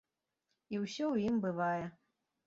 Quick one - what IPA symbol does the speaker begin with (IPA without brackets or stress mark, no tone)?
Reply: i